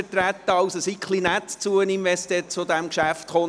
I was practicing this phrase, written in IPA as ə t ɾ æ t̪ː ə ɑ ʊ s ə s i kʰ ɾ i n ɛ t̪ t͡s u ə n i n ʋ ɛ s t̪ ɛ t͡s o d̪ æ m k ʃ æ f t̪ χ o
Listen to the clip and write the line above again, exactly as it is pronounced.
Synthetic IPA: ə t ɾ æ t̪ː ə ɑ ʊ s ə s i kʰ l i n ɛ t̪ t͡s u ə n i n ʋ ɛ s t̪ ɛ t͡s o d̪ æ m k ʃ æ f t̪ χ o